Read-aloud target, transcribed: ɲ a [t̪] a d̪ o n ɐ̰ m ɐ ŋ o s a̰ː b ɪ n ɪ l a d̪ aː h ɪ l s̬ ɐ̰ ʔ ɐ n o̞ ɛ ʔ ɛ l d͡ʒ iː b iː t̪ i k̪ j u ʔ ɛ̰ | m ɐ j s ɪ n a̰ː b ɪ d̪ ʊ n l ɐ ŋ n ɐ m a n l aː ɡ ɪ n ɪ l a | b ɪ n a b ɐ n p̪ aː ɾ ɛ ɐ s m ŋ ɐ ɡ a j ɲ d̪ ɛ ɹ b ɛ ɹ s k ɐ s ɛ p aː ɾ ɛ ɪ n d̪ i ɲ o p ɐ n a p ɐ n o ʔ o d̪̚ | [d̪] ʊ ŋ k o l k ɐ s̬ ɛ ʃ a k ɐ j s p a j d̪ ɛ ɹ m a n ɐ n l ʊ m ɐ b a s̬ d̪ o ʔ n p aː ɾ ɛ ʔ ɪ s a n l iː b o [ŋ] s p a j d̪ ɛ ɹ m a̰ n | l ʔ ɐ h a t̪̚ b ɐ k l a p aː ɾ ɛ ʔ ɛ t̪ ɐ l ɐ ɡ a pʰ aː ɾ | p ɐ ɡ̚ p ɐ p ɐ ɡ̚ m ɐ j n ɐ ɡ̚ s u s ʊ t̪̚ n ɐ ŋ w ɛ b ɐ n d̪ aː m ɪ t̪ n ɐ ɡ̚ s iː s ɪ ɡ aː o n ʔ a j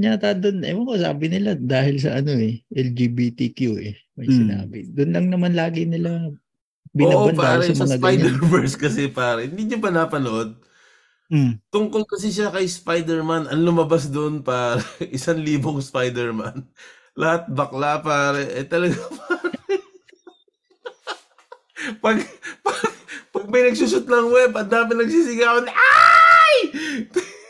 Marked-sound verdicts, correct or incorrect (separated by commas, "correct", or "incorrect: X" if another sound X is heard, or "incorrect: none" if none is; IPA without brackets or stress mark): correct, incorrect: t̪, correct